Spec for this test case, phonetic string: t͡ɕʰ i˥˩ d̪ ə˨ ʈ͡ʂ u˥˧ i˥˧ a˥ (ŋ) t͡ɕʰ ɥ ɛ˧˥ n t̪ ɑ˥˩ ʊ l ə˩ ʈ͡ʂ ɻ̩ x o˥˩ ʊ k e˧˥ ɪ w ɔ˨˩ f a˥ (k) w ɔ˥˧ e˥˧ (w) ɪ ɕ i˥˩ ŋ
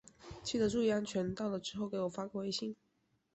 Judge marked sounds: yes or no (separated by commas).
no, yes, no